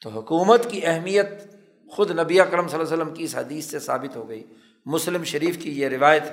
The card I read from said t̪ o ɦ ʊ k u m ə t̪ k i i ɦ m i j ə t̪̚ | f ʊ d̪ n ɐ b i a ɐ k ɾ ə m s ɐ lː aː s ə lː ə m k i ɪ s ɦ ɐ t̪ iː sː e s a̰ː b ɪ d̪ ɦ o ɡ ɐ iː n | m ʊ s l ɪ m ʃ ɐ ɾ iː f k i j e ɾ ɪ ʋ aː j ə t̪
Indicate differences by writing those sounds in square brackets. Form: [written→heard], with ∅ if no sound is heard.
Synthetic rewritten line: t̪ o ɦ ʊ k [u→uː] m ə t̪ k i [i→ɛ] ɦ m i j ə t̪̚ | [f→x] ʊ d̪ n ɐ b i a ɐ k ɾ ə m s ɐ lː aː s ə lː ə m k i ɪ s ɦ ɐ [t̪→d̪] iː sː e s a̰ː b ɪ [d̪→t̪] ɦ o ɡ ɐ iː [n→∅] | m ʊ s l ɪ m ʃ ɐ ɾ iː f k i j e ɾ ɪ ʋ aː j ə t̪